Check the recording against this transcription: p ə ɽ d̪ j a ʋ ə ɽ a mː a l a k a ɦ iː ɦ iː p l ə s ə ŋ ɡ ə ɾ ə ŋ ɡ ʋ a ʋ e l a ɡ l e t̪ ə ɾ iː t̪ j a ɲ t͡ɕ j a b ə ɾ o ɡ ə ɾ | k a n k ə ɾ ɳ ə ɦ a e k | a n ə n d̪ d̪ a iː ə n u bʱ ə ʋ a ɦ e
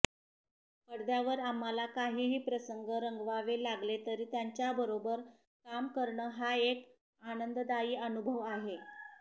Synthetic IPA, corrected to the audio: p ə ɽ d̪ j a ʋ ə ɾ a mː a l a k a ɦ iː ɦ iː p ɾ ə s ə ŋ ɡ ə ɾ ə ŋ ɡ ʋ a ʋ e l a ɡ l e t̪ ə ɾ iː t̪ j a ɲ t͡ɕ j a b ə ɾ o b ə ɾ | k a m k ə ɾ ɳ ə ɦ a e k | a n ə n d̪ d̪ a iː ə n u bʱ ə ʋ a ɦ e